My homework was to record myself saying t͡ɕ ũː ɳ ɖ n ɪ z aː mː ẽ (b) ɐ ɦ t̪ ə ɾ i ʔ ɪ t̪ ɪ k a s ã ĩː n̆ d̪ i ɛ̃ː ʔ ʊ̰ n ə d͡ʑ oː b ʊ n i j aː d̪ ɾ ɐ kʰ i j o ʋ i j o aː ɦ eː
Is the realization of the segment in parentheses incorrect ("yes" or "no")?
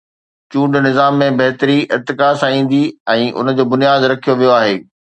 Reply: no